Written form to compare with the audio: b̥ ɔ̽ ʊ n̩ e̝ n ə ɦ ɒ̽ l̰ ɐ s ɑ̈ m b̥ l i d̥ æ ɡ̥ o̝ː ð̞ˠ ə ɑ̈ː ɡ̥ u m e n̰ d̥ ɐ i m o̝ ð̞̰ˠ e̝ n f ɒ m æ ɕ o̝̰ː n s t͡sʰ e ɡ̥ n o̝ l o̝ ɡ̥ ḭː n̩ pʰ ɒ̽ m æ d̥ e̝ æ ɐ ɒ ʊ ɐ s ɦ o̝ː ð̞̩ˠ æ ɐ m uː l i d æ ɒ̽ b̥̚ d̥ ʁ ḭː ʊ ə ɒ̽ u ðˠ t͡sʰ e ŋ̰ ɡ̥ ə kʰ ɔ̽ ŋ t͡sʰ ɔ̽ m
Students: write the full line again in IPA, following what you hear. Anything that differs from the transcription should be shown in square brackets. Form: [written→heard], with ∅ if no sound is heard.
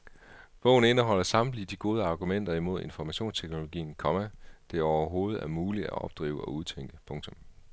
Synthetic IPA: b̥ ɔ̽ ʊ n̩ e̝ n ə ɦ ɒ̽ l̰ ɐ s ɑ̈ m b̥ l i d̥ [æ→i] ɡ̥ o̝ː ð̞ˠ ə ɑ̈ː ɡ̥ u m e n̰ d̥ ɐ i m o̝ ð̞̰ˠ e̝ n f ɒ m æ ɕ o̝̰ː n s t͡sʰ e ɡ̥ n o̝ l o̝ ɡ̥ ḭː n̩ [pʰ→kʰ] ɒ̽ m æ d̥ e̝ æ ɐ ɒ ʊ ɐ [s→∅] ɦ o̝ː ð̞̩ˠ æ ɐ m uː l i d æ ɒ̽ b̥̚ d̥ ʁ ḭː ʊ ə ɒ̽ u ðˠ t͡sʰ e ŋ̰ ɡ̥ ə [kʰ→pʰ] ɔ̽ ŋ t͡sʰ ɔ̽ m

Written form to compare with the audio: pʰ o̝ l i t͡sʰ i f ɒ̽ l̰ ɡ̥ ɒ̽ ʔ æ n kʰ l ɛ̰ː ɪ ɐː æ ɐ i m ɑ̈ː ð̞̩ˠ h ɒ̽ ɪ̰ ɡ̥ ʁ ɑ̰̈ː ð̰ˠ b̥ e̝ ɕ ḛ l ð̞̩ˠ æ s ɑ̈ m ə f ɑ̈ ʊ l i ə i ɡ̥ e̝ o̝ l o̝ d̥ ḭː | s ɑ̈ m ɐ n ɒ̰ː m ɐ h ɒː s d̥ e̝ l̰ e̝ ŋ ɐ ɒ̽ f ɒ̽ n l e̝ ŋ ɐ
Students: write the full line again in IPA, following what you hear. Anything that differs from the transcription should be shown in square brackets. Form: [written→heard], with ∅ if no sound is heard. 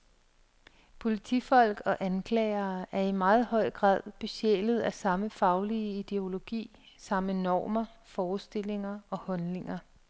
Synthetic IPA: pʰ o̝ l i t͡sʰ i f ɒ̽ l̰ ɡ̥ ɒ̽ ʔ æ n kʰ l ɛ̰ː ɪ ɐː æ ɐ i m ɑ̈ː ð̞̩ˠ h ɒ̽ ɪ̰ ɡ̥ ʁ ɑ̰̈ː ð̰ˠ b̥ e̝ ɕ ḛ l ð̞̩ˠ æ s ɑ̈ m ə f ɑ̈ ʊ l i ə i [ɡ̥→d̥] e̝ o̝ l o̝ [d̥→ɡ̥] ḭː | s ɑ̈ m [ɐ→ə] n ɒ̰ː m ɐ [h→f] ɒː s d̥ e̝ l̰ e̝ ŋ ɐ ɒ̽ [f→h] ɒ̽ n l e̝ ŋ ɐ

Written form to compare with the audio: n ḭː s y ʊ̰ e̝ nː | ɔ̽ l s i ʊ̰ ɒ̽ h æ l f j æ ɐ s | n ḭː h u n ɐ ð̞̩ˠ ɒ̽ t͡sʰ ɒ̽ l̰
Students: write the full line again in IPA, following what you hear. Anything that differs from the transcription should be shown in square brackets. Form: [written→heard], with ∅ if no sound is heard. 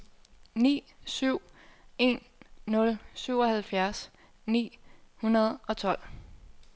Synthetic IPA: n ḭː s y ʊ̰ e̝ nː | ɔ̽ l s [i→y] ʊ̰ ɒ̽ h æ l f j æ ɐ s | n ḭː h u n ɐ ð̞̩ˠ ɒ̽ t͡sʰ ɒ̽ l̰

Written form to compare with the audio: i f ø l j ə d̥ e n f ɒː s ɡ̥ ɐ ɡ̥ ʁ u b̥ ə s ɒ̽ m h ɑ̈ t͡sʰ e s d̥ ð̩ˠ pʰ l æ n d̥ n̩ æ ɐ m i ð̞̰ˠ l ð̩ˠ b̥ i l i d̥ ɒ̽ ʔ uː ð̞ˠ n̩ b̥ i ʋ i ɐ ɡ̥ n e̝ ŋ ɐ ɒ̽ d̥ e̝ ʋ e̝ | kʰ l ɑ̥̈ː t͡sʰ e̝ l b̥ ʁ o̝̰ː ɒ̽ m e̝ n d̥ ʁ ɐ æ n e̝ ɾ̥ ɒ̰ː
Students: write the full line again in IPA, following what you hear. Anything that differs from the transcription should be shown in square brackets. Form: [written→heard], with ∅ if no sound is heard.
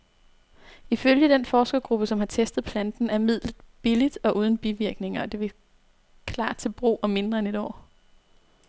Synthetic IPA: i f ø l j ə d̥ e n f ɒː s ɡ̥ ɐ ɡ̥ ʁ u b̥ ə s ɒ̽ m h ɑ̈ t͡sʰ e s d̥ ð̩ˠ pʰ l æ n d̥ n̩ æ ɐ m i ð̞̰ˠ l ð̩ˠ b̥ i l i d̥ ɒ̽ ʔ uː ð̞ˠ n̩ b̥ i ʋ i ɐ ɡ̥ n e̝ ŋ ɐ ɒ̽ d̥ e̝ ʋ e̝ | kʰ l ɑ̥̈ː t͡sʰ e̝ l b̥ ʁ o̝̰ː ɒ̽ m e̝ n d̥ ʁ ɐ [æ→e] n e̝ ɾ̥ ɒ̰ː

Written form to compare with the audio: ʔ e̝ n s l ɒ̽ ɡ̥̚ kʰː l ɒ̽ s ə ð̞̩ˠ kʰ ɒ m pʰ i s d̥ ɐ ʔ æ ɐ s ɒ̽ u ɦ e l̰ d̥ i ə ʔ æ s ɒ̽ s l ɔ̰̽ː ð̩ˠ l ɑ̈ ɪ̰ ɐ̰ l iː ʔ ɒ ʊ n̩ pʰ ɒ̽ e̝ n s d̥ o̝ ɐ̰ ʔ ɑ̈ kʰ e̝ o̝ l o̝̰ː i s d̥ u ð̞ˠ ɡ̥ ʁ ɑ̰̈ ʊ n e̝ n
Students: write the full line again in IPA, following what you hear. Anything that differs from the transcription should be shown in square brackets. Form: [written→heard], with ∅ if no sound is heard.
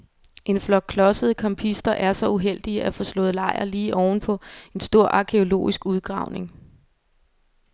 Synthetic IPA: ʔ e̝ n [s→f] l ɒ̽ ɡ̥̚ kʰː l ɒ̽ s ə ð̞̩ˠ kʰ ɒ m pʰ i s d̥ ɐ ʔ æ ɐ s ɒ̽ u ɦ e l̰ d̥ i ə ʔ æ [s→f] ɒ̽ s l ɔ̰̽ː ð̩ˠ l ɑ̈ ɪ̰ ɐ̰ l iː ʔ ɒ ʊ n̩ pʰ ɒ̽ e̝ n s d̥ o̝ ɐ̰ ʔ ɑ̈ kʰ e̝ o̝ l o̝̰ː i s [d̥→ɡ̥] u ð̞ˠ ɡ̥ ʁ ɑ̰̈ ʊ n e̝ [n→ŋ]

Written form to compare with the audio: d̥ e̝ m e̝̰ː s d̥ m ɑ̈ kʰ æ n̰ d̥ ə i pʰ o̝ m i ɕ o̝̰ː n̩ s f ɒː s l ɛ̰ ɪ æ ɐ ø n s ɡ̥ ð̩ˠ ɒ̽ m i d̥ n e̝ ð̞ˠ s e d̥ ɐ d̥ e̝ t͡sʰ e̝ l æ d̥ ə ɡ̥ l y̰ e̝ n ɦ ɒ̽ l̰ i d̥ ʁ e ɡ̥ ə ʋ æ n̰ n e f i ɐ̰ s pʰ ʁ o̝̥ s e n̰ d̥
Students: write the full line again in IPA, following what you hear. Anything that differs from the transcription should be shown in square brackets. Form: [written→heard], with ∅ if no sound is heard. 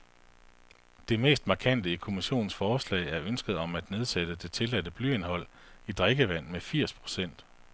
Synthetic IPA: d̥ e̝ m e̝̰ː s d̥ m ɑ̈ kʰ æ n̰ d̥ ə i [pʰ→kʰ] o̝ m i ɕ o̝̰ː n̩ s f ɒː s l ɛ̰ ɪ æ ɐ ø n s ɡ̥ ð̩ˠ ɒ̽ m [i→æ] d̥ n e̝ ð̞ˠ s e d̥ [ɐ→ə] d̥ e̝ t͡sʰ e̝ l æ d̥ ə [ɡ̥→b̥] l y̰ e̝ n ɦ ɒ̽ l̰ i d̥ ʁ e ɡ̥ ə ʋ æ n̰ [n→m] e f i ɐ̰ s pʰ ʁ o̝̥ s e n̰ d̥

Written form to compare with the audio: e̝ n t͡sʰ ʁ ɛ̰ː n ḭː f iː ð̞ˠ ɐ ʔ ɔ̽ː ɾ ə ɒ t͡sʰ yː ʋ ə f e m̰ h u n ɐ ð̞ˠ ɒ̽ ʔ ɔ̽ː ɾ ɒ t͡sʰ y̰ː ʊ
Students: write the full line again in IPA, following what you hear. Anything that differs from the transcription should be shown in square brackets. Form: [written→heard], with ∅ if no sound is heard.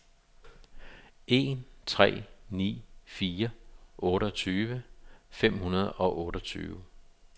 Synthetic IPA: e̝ n t͡sʰ ʁ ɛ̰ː n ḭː f iː [ð̞ˠ→∅] ɐ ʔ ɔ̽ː ɾ ə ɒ t͡sʰ yː ʋ ə f e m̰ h u n ɐ ð̞ˠ ɒ̽ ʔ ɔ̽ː ɾ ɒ t͡sʰ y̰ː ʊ

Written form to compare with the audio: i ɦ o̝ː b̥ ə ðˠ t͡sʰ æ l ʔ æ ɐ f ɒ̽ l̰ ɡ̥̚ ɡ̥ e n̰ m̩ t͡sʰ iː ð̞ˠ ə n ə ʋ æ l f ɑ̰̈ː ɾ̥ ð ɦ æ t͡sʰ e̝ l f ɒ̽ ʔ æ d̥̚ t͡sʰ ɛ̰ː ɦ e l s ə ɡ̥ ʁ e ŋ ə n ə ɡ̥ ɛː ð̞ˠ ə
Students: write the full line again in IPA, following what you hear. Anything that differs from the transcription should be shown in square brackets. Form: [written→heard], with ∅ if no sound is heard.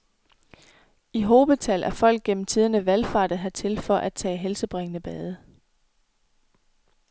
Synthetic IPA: i ɦ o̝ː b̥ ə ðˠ t͡sʰ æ l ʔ æ ɐ f ɒ̽ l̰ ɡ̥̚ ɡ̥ e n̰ m̩ t͡sʰ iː ð̞ˠ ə n ə ʋ æ l f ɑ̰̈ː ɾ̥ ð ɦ æ t͡sʰ e̝ l f ɒ̽ ʔ æ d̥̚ t͡sʰ ɛ̰ː ɦ e l s ə [ɡ̥→b̥] ʁ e ŋ ə n ə [ɡ̥→b̥] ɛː ð̞ˠ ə

